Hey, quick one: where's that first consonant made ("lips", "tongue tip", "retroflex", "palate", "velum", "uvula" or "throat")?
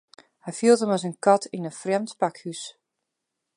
throat